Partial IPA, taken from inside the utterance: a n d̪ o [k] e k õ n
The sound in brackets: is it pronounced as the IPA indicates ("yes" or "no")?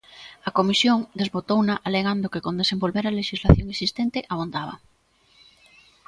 yes